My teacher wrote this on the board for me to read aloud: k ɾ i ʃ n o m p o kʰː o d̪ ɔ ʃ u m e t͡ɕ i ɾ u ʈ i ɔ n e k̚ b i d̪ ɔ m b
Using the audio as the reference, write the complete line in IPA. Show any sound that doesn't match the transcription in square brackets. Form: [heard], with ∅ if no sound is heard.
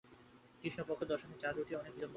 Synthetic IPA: k ɾ i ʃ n o [∅] p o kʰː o d̪ ɔ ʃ [o] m e t͡ɕ [a] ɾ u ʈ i ɔ n e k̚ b i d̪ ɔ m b